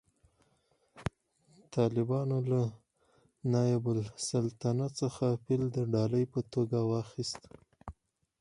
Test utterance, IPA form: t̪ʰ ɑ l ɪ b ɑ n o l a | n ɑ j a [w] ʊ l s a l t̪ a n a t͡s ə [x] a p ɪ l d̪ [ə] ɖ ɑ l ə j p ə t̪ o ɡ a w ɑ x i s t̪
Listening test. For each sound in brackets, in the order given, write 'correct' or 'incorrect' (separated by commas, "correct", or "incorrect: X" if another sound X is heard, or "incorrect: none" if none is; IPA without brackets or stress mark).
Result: incorrect: b, correct, correct